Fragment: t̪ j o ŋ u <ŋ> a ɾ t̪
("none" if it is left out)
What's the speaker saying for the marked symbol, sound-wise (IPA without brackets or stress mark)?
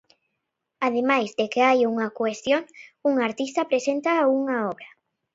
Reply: ŋ